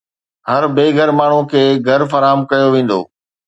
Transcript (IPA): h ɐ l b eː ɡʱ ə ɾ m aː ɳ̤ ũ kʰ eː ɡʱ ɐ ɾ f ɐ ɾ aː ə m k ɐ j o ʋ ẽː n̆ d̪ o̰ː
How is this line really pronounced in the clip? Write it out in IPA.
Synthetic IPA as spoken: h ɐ ɾ b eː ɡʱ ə ɾ m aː ɳ̤ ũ kʰ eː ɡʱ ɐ ɾ f ɐ ɾ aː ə m k ɐ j o ʋ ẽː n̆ d̪ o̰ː